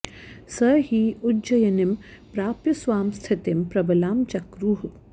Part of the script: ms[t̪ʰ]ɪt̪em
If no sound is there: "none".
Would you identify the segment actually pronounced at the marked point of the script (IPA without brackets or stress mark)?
t̪ʰ